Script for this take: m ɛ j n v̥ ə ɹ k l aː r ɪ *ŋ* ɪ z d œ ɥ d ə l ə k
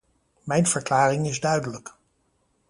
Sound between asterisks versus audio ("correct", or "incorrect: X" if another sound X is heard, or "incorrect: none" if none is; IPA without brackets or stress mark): correct